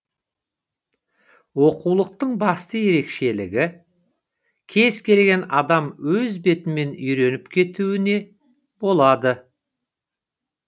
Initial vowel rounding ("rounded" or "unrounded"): rounded